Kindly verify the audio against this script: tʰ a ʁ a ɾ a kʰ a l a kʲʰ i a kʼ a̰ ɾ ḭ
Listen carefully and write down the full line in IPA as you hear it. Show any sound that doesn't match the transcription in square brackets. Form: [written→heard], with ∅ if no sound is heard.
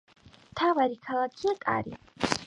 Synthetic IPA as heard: tʰ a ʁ a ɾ [a→i] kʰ a l a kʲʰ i a kʼ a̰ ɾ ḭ